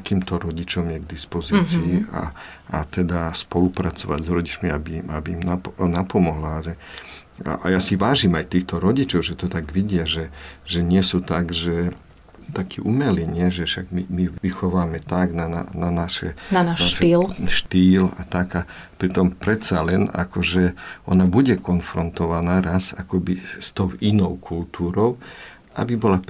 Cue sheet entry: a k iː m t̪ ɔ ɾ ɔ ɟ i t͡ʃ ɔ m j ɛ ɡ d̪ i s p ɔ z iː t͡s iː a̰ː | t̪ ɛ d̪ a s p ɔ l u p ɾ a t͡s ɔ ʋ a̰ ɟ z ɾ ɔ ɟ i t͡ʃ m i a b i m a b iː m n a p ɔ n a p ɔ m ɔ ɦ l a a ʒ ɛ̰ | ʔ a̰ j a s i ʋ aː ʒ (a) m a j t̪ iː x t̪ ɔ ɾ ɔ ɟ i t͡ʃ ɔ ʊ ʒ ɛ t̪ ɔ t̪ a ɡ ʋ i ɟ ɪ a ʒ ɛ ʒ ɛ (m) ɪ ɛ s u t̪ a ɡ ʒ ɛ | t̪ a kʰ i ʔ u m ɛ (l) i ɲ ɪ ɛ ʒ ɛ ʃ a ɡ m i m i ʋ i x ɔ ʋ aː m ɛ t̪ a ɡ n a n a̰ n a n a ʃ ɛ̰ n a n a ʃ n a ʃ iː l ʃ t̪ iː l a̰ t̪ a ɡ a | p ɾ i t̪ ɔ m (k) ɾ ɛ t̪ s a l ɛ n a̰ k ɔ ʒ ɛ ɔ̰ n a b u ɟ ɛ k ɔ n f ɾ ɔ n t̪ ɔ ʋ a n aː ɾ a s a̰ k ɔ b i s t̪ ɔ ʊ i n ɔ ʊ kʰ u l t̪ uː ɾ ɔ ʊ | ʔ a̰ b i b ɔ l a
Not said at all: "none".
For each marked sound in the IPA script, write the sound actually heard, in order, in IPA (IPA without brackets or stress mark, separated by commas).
i, ɲ, l, p